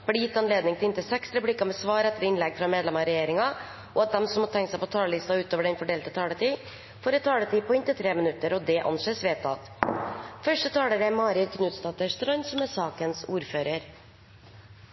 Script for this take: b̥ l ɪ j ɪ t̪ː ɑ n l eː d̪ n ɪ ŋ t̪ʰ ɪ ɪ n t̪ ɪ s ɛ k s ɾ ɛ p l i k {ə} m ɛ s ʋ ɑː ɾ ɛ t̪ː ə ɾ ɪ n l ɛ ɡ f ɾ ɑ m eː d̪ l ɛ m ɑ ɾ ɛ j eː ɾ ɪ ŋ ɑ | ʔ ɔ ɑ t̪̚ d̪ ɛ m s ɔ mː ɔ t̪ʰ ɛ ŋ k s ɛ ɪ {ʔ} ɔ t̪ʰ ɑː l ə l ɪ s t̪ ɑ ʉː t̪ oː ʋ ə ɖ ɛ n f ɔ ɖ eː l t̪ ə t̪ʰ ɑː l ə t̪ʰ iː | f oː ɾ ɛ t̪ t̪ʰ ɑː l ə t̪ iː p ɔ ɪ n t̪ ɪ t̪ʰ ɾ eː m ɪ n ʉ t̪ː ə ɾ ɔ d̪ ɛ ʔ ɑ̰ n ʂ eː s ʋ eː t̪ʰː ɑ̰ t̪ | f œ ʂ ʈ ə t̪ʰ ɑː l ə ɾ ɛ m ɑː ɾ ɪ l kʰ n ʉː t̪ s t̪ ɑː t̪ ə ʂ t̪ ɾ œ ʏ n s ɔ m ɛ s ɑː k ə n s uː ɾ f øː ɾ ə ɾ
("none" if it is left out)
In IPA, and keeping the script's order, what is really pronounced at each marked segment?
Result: ɑ, p

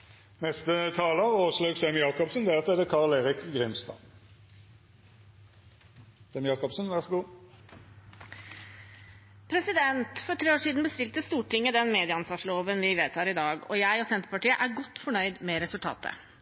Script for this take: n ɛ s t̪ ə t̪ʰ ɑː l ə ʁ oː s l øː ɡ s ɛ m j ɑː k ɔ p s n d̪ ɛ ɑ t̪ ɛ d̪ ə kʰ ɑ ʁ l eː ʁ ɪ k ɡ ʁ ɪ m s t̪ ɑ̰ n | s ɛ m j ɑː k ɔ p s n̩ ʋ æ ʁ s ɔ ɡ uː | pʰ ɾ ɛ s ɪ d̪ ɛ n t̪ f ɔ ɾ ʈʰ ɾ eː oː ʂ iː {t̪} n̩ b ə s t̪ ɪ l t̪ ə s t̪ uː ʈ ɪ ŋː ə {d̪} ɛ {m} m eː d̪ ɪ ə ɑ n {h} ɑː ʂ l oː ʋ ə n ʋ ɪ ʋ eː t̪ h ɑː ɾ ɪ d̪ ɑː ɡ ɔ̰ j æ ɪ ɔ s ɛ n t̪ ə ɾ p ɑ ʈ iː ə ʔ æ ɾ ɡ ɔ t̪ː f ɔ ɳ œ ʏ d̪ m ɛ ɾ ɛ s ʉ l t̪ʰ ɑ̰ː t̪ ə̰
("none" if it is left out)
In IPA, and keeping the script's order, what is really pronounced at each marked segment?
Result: d̪, d̪, n, s

